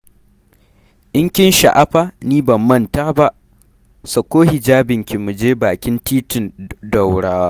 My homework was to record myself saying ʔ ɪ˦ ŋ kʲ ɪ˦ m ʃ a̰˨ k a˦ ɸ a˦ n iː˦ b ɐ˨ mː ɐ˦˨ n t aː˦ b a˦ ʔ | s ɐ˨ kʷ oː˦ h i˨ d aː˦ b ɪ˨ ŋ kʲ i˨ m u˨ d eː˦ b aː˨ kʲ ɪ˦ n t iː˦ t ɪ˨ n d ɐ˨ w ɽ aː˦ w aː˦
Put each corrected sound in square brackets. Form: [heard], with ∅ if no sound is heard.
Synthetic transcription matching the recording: ʔ ɪ˦ ŋ kʲ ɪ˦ [n] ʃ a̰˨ [ʔ] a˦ ɸ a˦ n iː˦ b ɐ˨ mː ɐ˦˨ n t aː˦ b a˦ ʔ | s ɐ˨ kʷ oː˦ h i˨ [d͡ʒ] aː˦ b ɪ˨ ŋ kʲ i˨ m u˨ [d͡ʒ] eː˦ b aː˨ kʲ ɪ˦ n t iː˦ t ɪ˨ n d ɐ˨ w ɽ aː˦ w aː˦

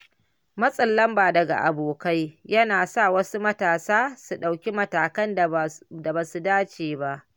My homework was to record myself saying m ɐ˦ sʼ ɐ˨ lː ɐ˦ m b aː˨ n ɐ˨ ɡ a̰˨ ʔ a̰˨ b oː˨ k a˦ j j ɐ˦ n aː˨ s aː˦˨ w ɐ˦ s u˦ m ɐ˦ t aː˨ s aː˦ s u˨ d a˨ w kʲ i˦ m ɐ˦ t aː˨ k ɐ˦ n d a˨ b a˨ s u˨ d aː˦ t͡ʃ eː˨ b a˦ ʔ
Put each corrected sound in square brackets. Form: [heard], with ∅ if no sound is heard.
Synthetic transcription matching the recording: m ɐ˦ sʼ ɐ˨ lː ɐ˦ m b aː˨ [d] ɐ˨ ɡ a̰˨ ʔ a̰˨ b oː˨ k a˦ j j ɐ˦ n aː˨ s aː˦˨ w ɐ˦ s u˦ m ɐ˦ t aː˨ s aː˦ s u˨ [ɗ] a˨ w kʲ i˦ m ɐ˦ t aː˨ k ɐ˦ n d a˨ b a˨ s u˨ d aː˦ t͡ʃ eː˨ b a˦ ʔ

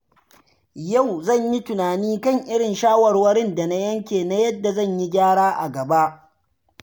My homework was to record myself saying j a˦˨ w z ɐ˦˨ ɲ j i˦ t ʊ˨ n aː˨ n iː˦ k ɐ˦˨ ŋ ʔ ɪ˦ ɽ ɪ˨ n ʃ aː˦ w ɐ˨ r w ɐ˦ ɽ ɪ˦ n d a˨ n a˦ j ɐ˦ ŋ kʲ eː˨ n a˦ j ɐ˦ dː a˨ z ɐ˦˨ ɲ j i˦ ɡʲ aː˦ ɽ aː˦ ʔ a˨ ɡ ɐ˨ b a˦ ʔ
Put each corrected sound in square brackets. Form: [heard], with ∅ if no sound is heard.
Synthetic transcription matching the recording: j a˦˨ w z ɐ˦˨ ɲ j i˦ t ʊ˨ n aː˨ n iː˦ k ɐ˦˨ ŋ ʔ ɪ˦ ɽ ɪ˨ n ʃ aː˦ w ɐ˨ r w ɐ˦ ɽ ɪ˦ n d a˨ n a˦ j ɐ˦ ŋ kʲ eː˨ n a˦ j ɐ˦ dː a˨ z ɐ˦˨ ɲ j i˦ ɡʲ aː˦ ɽ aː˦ ʔ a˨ ɡ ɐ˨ b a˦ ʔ

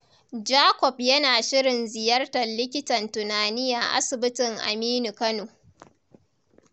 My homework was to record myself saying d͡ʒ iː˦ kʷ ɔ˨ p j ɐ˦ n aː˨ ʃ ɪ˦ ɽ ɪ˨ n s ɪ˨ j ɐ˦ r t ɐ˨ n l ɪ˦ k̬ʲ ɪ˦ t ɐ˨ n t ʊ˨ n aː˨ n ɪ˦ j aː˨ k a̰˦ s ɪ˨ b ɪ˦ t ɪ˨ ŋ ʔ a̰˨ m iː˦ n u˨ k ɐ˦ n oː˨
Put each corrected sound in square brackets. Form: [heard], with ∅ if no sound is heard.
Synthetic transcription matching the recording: d͡ʒ [aː˦] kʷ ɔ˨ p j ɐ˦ n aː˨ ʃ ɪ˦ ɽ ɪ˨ n [z] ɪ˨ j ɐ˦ r t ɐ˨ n l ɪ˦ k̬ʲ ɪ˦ t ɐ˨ n t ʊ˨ n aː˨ n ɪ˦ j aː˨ [ʔ] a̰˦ s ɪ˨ b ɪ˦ t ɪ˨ ŋ ʔ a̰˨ m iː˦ n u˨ k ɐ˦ n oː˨

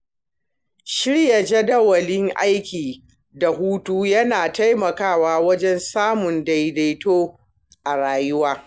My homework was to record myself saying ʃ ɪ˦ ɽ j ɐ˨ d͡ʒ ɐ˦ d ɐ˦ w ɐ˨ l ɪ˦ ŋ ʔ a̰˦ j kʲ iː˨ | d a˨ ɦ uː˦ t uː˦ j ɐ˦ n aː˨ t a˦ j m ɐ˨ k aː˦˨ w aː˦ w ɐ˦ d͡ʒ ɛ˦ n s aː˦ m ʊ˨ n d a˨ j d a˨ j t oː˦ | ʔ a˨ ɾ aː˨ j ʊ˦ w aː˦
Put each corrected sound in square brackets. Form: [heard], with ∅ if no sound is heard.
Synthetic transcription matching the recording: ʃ ɪ˦ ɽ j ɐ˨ d͡ʒ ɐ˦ d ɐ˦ w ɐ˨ l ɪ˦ ŋ ʔ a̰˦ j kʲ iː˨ | d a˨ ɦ uː˦ t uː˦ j ɐ˦ n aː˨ t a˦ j m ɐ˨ k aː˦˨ w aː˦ w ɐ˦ d͡ʒ ɛ˦ n s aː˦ m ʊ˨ n d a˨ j d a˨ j t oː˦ | ʔ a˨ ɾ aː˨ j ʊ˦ w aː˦

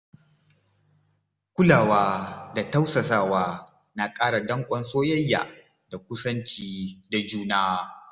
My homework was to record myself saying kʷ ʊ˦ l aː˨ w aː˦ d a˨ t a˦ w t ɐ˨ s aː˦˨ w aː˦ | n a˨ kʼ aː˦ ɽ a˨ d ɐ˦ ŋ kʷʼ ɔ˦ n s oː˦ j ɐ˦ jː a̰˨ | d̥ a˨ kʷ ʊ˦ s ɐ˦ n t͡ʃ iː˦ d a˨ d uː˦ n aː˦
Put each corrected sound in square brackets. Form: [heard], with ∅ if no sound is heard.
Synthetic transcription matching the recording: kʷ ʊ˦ l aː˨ w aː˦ d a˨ t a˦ w [s] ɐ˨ s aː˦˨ w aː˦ | n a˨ kʼ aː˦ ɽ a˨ d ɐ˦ ŋ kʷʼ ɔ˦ n s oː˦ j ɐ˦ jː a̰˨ | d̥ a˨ kʷ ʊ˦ s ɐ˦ n t͡ʃ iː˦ d a˨ [d͡ʒ] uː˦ n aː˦

